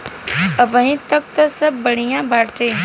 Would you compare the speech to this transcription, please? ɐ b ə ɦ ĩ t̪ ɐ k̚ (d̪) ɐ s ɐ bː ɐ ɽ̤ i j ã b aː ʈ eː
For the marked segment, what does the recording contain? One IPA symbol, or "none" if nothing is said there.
t̪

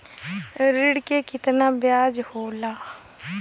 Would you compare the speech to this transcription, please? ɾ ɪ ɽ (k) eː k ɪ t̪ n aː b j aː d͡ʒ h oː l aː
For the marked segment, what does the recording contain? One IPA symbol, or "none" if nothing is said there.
k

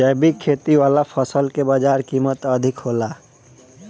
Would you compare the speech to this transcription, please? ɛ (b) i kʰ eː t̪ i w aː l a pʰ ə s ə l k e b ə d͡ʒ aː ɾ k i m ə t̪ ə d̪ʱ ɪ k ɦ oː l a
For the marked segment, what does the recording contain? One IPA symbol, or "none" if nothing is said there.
b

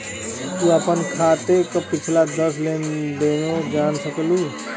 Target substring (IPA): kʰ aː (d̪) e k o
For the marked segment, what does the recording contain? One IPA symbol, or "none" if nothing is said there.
t̪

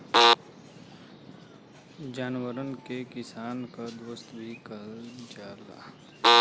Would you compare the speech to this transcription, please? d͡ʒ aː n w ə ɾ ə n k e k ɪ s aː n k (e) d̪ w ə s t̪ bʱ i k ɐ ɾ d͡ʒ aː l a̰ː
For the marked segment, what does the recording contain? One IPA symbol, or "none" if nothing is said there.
a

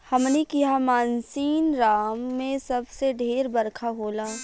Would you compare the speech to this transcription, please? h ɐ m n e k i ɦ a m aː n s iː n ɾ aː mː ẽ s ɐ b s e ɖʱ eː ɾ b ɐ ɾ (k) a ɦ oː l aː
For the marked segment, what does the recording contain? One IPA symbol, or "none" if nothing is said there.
kʰ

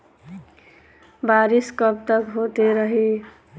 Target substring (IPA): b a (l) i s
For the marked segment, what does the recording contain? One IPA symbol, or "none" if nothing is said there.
ɾ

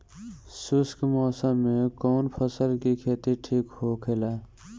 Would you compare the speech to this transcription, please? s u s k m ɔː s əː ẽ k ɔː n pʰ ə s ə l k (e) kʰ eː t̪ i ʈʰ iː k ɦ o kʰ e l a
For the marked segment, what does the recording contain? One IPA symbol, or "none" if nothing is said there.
i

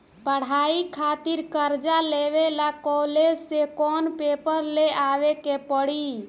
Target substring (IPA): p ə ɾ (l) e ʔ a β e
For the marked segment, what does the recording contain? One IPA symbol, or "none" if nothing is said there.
l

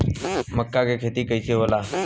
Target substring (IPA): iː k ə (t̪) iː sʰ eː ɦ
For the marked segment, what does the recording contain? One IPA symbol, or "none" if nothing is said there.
none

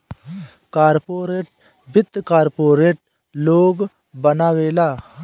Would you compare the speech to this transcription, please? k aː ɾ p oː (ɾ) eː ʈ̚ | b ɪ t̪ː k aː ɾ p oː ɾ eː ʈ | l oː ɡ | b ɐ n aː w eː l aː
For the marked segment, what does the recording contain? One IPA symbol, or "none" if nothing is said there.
ɾ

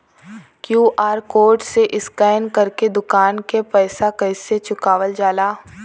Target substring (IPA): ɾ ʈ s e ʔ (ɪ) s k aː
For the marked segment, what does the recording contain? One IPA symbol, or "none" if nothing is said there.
ɪ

